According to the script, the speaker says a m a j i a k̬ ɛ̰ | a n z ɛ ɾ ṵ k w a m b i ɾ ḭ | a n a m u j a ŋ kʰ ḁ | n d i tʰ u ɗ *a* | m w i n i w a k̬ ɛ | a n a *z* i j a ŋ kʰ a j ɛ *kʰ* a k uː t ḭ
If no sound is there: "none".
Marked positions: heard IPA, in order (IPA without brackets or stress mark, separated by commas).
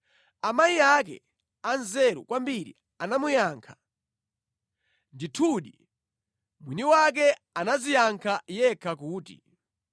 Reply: i, z, kʰ